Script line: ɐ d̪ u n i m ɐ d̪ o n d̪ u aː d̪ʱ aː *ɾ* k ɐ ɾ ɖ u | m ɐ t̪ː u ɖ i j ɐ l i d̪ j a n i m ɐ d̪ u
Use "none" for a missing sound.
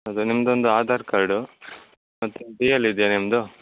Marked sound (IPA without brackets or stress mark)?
ɾ